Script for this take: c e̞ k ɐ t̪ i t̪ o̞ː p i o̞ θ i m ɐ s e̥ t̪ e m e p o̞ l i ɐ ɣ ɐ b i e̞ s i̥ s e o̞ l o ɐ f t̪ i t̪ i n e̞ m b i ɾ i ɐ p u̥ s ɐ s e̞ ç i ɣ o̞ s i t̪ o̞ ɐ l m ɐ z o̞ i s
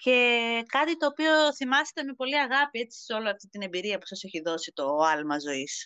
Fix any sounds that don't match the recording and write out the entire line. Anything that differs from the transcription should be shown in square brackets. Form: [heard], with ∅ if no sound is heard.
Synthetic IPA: c e̞ k ɐ t̪ i t̪ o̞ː p i o̞ θ i m ɐ s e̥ t̪ e m e p o̞ l i ɐ ɣ ɐ [p] i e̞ [t͡s] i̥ s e o̞ l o ɐ f t̪ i t̪ i n e̞ m b i ɾ i ɐ p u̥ s ɐ s e̞ ç i [ð] o̞ s i t̪ o̞ ɐ l m ɐ z o̞ i s